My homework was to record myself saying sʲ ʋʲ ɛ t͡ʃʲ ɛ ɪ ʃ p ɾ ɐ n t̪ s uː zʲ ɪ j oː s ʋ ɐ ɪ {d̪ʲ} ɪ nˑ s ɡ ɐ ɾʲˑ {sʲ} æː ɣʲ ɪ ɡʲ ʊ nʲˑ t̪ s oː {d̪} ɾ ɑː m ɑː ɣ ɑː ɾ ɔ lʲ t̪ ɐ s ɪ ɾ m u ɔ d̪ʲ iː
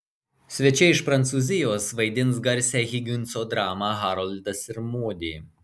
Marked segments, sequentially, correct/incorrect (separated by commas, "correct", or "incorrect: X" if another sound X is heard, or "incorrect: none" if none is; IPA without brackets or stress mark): correct, correct, correct